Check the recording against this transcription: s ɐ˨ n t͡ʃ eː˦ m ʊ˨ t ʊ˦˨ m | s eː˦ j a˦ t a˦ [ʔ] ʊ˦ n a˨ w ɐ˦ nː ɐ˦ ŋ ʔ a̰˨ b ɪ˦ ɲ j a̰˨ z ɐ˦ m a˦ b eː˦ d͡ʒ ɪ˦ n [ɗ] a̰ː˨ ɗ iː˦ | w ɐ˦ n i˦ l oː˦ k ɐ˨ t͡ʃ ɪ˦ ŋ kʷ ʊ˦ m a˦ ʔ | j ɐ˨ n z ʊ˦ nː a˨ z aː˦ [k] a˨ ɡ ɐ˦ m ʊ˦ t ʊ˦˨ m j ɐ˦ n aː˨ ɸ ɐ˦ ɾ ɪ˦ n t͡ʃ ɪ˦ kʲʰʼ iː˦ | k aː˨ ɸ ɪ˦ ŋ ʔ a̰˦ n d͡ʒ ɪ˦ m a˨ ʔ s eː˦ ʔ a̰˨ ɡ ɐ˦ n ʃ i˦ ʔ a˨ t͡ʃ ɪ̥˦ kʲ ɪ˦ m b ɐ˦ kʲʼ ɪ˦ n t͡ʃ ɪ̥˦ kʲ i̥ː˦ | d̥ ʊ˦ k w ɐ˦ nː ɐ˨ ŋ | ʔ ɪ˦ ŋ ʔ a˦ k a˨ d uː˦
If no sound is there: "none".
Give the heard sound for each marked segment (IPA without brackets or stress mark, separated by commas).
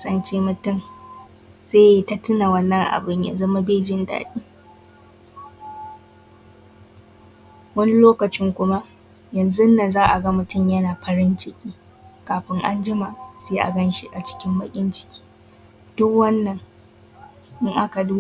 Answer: t, d, ʔ